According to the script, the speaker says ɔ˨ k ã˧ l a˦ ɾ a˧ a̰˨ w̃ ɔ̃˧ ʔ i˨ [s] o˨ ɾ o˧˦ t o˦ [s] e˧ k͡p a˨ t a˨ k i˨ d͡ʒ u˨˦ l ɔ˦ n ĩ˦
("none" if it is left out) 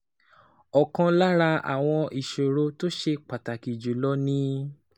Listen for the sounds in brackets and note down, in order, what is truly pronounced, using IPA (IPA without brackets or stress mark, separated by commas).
ʃ, ʃ